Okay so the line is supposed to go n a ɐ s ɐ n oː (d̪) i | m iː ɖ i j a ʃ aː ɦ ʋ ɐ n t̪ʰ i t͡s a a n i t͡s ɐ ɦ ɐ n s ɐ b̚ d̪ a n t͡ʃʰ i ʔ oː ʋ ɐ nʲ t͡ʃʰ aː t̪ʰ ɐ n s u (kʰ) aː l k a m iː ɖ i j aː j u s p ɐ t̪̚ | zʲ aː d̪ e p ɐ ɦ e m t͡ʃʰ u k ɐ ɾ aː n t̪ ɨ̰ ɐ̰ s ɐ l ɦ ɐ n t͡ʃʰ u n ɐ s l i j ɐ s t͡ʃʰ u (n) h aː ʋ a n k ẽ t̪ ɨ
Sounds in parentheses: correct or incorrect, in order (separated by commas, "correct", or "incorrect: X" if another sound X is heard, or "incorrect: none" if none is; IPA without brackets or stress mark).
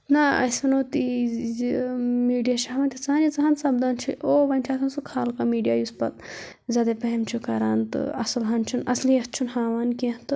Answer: incorrect: t̪, correct, correct